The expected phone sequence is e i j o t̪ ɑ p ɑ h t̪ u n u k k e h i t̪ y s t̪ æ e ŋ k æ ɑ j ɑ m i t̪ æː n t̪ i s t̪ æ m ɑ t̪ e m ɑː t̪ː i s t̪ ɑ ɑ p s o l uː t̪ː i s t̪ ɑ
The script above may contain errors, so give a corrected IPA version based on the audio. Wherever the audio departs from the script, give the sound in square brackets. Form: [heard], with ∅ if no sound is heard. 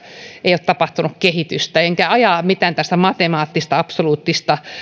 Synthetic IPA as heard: e i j o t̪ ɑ p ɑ h t̪ u n u k k e h i t̪ y s t̪ æ e ŋ k æ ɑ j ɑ m i t̪ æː n t̪ [æ] s t̪ æ m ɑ t̪ e m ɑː t̪ː i s t̪ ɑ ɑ p s o l uː t̪ː i s t̪ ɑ